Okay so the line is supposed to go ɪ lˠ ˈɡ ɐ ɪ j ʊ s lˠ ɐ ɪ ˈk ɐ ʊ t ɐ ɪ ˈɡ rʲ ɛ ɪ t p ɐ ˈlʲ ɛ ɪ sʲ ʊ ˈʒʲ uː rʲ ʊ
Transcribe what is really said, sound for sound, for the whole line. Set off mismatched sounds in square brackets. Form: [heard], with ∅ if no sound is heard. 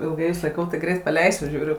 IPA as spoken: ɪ lˠ ˈɡ ɐ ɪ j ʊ s lˠ ɐ ɪ ˈk ɐ ʊ t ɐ ɪ ˈɡ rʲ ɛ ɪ t p ɐ ˈlʲ ɛ ɪ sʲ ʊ ˈʒʲ uː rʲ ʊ